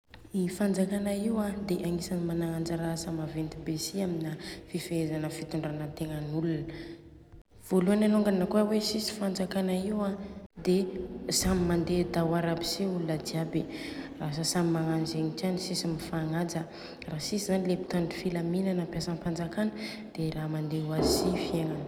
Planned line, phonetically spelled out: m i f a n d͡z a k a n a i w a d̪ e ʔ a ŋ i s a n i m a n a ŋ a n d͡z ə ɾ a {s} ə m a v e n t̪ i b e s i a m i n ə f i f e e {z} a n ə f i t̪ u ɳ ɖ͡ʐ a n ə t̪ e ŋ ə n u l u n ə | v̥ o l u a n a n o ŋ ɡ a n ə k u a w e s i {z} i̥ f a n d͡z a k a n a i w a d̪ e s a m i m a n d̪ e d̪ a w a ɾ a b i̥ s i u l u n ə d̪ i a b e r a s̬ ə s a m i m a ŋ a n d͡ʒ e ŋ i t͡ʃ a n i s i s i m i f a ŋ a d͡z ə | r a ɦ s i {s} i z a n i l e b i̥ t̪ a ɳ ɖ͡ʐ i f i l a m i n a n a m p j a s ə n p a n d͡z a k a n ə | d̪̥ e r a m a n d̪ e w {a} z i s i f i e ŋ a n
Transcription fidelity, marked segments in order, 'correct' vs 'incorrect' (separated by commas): correct, correct, incorrect, correct, correct